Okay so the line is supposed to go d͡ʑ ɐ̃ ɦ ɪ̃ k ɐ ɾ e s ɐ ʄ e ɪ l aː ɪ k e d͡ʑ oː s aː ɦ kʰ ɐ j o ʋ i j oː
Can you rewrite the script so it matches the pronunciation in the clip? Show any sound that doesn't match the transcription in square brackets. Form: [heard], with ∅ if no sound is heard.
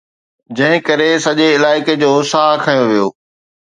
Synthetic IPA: d͡ʑ ɐ̃ ɦ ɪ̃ k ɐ ɾ e s ɐ ʄ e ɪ l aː ɪ k e d͡ʑ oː s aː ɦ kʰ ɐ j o ʋ i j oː

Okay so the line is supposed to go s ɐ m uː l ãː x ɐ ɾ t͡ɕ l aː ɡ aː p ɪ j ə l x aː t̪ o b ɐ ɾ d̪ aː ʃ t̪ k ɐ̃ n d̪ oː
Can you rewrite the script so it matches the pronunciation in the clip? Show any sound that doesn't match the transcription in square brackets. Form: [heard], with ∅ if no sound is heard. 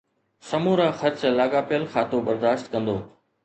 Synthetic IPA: s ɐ m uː [ɾ] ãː x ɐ ɾ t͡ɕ l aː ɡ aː p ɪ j ə l x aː t̪ o b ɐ ɾ d̪ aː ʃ t̪ k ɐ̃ n d̪ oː

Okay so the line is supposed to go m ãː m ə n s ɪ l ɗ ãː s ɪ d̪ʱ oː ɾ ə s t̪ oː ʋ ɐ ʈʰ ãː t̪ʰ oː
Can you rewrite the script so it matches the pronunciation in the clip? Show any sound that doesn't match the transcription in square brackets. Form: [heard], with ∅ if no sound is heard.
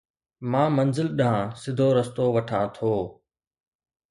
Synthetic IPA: m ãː m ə n [z] ɪ l ɗ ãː s ɪ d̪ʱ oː ɾ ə s t̪ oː ʋ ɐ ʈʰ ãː t̪ʰ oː

